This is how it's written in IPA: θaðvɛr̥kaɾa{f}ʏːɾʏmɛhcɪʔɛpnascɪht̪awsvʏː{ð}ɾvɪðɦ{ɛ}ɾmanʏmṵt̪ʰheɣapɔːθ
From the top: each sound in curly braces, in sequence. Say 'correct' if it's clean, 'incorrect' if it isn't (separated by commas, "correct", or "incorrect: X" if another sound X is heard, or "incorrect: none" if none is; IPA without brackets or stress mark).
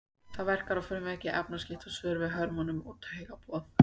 correct, incorrect: none, incorrect: œ